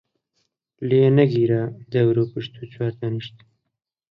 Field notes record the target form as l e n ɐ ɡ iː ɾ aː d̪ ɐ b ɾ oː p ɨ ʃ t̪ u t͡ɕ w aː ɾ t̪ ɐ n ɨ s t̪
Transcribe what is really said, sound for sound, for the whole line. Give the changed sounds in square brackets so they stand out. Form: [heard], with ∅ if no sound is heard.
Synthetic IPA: l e n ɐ ɡ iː ɾ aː d̪ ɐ [w] ɾ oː p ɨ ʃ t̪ u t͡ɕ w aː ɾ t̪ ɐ n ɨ [ʃ] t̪